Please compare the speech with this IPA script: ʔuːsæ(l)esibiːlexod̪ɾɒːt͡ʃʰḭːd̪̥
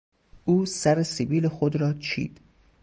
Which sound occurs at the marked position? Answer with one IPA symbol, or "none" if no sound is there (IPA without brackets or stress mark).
ɾ